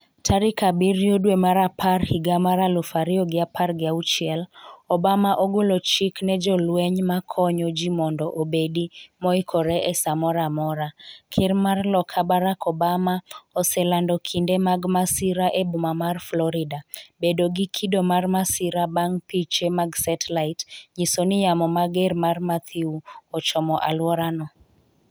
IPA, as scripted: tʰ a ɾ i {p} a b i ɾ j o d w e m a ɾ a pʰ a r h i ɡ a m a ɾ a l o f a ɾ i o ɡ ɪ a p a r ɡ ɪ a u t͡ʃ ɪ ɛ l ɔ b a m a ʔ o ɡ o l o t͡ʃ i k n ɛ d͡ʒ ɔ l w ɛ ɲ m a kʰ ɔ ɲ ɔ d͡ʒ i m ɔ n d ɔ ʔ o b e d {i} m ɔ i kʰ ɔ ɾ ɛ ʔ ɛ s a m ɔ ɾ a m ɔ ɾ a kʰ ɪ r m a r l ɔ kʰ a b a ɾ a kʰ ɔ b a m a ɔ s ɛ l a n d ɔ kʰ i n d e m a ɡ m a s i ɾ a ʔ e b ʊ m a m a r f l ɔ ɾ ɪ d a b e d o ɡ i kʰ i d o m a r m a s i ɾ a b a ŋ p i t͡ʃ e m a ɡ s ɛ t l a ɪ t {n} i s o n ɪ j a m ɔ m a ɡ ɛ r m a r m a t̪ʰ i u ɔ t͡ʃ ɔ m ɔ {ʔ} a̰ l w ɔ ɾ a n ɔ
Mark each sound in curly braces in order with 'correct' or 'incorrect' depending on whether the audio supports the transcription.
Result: incorrect, correct, incorrect, correct

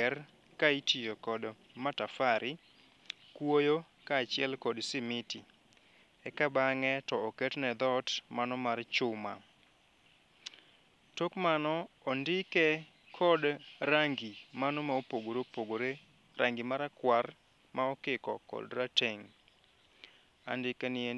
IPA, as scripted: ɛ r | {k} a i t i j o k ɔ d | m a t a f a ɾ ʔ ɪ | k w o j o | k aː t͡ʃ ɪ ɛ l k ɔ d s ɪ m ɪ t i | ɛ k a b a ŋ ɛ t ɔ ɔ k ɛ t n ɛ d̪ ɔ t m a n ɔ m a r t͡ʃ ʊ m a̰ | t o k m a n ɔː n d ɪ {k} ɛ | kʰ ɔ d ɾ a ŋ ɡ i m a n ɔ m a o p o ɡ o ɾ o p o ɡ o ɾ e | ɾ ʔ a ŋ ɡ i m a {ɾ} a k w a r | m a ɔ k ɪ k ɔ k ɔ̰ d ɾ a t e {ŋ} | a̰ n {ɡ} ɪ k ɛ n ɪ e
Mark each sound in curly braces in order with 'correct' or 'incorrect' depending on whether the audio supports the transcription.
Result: correct, correct, correct, correct, incorrect

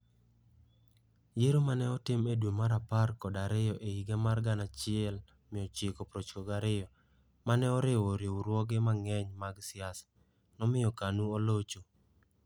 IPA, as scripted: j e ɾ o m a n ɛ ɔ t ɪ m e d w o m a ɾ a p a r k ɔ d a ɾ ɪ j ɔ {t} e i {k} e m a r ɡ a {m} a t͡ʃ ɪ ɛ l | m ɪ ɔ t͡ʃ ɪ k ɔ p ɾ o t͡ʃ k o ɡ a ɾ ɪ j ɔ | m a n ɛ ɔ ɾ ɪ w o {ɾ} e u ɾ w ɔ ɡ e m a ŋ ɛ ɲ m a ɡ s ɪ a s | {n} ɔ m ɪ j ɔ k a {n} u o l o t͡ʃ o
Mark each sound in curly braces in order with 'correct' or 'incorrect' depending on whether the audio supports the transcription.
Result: incorrect, incorrect, incorrect, correct, correct, correct

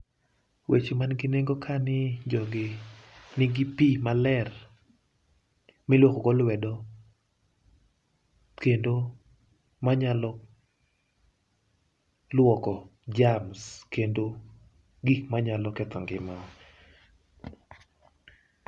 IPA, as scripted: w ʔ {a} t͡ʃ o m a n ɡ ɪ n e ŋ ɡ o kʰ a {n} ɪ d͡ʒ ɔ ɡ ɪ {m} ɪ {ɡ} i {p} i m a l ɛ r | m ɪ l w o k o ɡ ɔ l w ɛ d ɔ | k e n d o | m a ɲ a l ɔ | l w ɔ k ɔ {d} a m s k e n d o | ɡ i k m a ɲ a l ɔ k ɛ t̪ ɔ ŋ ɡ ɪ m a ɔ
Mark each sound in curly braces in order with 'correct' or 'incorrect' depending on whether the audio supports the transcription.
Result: incorrect, correct, incorrect, correct, correct, incorrect

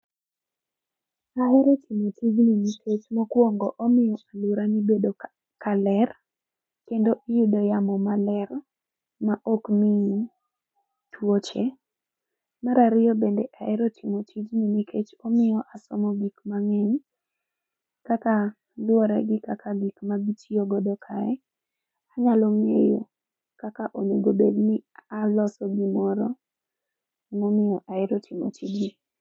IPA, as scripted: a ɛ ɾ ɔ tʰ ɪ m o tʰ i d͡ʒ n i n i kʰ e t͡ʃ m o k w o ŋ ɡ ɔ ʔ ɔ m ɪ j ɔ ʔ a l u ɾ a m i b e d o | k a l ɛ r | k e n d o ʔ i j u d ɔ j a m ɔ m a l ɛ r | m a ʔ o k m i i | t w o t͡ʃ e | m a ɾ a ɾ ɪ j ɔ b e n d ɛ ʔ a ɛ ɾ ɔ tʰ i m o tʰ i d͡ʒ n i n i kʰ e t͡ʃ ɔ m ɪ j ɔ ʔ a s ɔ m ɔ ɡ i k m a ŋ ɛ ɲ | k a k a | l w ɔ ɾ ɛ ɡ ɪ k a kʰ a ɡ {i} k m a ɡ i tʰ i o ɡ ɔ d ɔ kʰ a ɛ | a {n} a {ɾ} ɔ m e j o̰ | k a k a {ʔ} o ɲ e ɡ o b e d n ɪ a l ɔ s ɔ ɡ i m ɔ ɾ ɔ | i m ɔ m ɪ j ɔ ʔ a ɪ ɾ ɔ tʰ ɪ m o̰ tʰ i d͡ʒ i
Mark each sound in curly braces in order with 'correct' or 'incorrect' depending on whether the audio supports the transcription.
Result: correct, incorrect, incorrect, correct

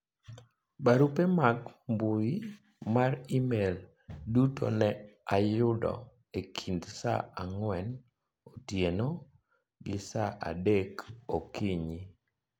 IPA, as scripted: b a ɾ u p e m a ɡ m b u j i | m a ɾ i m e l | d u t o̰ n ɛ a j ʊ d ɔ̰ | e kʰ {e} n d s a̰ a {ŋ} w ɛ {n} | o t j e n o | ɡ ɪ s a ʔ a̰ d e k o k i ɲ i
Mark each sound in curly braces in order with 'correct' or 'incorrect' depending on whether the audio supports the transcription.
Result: incorrect, correct, correct

